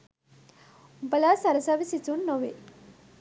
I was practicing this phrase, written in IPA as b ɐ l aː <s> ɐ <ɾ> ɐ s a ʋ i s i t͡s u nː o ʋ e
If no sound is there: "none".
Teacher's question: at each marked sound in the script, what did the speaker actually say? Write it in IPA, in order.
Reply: s, ɾ

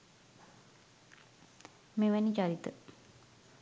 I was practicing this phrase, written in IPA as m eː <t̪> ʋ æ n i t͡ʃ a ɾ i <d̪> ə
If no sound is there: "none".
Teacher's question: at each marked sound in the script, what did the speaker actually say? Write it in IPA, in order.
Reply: none, t̪

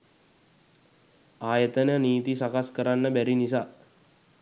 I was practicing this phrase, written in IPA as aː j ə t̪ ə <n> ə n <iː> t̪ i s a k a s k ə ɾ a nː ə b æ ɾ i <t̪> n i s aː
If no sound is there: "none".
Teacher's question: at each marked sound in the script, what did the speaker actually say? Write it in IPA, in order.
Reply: n, iː, none

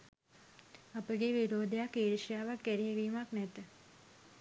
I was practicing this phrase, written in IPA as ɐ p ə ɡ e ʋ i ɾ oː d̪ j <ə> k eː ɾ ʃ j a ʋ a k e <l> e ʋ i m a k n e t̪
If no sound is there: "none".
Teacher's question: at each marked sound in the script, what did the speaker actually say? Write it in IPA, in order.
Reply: a, ɾ

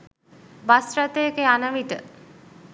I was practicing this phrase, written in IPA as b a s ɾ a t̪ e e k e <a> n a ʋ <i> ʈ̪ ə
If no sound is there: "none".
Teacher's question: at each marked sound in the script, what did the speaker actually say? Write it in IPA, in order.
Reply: a, i

